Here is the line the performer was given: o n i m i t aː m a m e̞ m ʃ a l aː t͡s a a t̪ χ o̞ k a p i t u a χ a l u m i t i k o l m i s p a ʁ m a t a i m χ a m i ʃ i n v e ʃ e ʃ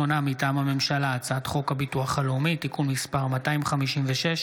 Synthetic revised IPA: o n a m i t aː m a m e̞ m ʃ a l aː t͡s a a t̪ χ o̞ k a b i t u a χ a l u m i t i k u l m i s p a ʁ m a t a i m χ a m i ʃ i m v e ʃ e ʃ

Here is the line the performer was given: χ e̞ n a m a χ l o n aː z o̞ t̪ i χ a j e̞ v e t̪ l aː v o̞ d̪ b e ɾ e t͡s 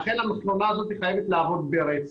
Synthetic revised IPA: χ e̞ n a m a χ l o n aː z o̞ t̪ i χ a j e̞ v e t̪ l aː v o̞ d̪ b e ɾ e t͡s

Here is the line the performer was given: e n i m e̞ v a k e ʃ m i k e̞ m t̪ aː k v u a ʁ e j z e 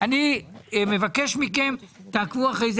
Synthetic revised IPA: a n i m e̞ v a k e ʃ m i k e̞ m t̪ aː k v u a χ e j z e

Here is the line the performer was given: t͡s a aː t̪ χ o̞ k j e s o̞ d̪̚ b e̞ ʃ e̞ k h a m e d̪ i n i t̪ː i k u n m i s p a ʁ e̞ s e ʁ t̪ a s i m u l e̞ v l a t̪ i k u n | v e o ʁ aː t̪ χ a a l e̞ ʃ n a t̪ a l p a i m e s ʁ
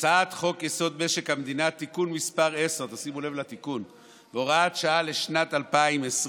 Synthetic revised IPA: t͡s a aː t̪ χ o̞ k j e s o̞ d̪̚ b e̞ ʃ e̞ k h a m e d̪ i n a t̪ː i k u n m i s p a ʁ e̞ s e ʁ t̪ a s i m u l e̞ v l a t̪ i k u n | v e o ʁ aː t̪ ʃ a a l e̞ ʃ n a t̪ a l p a i m e s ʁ

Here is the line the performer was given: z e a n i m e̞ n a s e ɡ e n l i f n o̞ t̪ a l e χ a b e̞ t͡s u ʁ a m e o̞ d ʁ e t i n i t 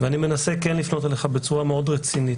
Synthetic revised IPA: v e a n i m e̞ n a s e k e n l i f n o̞ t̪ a l e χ a b e̞ t͡s u ʁ a m e o̞ d ʁ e t͡s i n i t

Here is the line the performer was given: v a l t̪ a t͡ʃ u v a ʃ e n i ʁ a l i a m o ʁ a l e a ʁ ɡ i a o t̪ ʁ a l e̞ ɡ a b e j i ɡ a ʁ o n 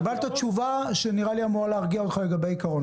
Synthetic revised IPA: b a l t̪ a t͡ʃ u v a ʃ e n i ʁ a l i a m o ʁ a l e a ʁ ɡ i a o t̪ χ a l e̞ ɡ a b e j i k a ʁ o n

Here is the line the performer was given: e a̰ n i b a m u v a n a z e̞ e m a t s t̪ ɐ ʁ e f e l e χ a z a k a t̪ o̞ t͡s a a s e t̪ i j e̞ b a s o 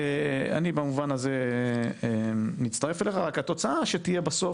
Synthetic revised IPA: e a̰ n i b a m u v a n a z e̞ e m i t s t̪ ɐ ʁ e f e l e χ a ʁ a k a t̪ o̞ t͡s a a ʃ e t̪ i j e̞ b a s o

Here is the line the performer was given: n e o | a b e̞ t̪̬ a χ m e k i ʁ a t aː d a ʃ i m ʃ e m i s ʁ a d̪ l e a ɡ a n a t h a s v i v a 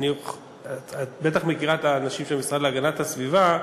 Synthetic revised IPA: n i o | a b e̞ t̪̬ a χ m e k i ʁ a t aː n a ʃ i m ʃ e m i s ʁ a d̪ l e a ɡ a n a t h a s v i v a

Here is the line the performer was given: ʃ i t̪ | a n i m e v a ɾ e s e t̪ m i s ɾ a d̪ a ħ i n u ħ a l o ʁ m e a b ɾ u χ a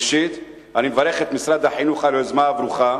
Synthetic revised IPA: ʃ i t̪ | a n i m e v a ɾ e χ e t̪ m i s ɾ a d̪ a ħ i n u χ a l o z m a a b ɾ u χ a

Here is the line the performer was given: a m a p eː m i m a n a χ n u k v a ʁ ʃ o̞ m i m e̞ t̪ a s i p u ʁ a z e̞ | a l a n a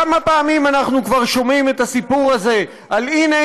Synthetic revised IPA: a m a p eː m i m a n a χ n u k v a ʁ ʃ o̞ m i m e̞ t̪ a s i p u ʁ a z e̞ | a l i n e

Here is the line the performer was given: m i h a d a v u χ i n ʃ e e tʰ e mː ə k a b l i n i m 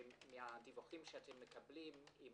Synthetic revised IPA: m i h a d i v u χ i m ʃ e a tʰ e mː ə k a b l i m i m

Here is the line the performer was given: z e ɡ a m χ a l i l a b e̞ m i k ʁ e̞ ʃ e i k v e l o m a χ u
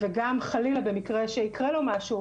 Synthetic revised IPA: v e ɡ a m χ a l i l a b e̞ m i k ʁ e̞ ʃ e i k ʁ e l o m a ʃ u

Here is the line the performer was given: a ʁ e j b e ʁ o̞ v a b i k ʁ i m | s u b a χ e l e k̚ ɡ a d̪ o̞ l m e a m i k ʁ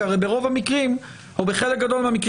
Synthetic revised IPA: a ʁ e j b e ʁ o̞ v a m i k ʁ i m | h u b e χ e l e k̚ ɡ a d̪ o̞ l m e a m i k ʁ

